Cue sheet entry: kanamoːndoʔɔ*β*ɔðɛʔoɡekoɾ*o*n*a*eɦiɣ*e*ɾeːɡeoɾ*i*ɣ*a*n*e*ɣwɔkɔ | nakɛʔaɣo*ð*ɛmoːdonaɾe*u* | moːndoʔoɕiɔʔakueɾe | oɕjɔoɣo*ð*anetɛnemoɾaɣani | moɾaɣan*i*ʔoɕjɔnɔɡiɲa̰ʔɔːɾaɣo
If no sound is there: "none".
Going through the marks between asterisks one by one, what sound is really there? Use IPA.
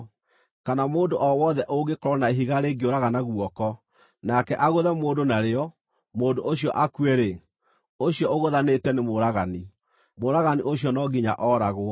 w, ɔ, a, a, a, a, a, ð, ɔ, ð, i

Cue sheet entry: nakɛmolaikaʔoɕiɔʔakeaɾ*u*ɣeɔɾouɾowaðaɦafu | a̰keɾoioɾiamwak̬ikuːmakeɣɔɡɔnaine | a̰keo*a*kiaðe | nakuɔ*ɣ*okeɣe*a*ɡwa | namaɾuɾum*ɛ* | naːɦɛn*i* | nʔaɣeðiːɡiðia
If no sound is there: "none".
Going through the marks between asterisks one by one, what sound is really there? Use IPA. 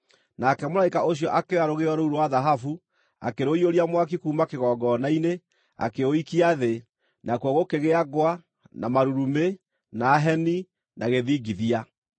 o, i, ɣ, a, e, i

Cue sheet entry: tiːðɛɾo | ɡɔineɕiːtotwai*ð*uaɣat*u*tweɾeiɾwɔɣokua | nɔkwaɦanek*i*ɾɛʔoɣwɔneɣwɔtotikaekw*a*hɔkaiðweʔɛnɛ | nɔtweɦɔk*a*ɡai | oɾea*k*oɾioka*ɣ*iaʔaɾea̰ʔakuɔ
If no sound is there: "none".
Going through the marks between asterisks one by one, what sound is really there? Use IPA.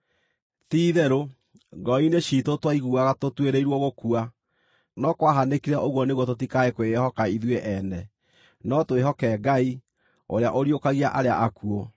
ɣ, o, i, e, ɛ, ʔ, ɣ

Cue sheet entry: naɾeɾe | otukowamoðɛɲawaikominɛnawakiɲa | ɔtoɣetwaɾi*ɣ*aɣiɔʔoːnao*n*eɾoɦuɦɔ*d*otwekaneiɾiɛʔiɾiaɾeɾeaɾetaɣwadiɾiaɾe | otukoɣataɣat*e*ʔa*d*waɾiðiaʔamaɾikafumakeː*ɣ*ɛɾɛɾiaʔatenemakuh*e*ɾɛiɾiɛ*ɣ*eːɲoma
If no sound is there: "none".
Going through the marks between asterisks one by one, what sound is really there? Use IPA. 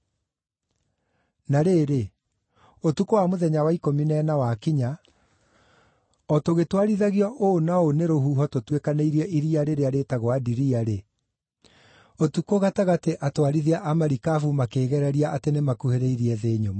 ð, n, t, e, t, ɣ, e, ð

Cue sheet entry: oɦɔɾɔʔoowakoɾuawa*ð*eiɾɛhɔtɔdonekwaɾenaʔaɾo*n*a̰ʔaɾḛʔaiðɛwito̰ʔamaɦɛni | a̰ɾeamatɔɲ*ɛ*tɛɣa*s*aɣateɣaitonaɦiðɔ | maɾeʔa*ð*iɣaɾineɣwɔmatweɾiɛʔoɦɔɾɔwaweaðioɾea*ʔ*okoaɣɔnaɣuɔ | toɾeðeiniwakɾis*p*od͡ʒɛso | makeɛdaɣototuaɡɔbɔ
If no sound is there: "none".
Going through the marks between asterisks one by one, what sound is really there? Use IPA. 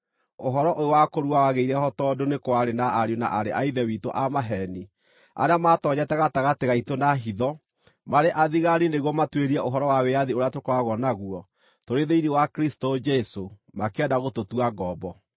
ɣ, n, ɛ, t, ð, t, t

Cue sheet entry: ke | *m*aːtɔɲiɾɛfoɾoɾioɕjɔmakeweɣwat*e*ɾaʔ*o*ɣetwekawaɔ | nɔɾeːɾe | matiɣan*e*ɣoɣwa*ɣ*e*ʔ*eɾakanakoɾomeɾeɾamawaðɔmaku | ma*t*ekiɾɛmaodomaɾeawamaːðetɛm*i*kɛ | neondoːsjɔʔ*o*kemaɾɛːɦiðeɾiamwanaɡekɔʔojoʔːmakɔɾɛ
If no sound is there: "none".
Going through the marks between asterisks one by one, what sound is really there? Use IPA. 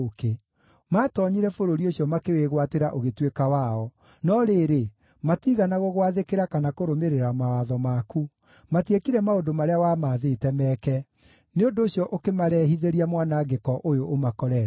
m, e, o, a, ð, k, t, ɛ, o

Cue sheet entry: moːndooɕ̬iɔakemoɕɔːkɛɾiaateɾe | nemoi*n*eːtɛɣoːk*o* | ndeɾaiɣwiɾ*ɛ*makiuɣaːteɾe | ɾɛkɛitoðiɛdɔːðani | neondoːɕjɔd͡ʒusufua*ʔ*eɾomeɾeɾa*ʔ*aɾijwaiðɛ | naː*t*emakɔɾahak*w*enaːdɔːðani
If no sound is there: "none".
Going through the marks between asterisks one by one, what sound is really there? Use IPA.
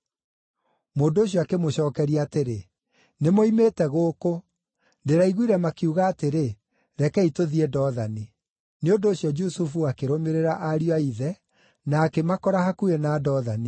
m, o, ɛ, k, ʔ, k, u

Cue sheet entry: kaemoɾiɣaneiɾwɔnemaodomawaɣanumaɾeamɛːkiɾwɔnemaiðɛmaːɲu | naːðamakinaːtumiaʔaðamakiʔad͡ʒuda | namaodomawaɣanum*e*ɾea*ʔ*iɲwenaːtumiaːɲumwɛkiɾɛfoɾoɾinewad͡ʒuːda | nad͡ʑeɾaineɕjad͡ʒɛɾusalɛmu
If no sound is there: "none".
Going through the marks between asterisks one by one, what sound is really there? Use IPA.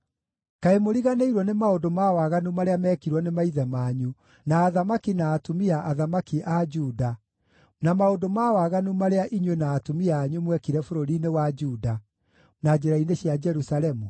a, ʔ

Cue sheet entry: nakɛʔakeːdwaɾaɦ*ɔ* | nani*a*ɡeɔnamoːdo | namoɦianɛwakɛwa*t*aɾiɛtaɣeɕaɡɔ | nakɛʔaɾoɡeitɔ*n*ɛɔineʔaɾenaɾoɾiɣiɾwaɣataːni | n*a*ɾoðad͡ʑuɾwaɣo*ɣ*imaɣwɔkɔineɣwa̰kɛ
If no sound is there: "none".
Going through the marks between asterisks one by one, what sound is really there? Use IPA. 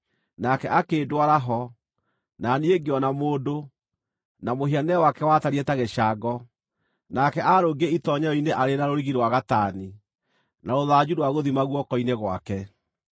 ɔ, e, t, ɲ, a, ð

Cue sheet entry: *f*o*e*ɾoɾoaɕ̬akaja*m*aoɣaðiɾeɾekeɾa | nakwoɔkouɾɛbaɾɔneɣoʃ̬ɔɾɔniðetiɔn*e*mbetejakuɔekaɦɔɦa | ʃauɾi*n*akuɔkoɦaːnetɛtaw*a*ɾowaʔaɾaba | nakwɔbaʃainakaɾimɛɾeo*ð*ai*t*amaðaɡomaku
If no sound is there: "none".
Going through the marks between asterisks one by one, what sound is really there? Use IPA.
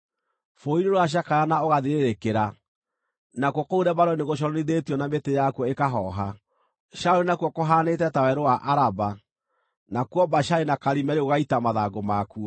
f, i, n, a, n, ɛ, ɣ, t

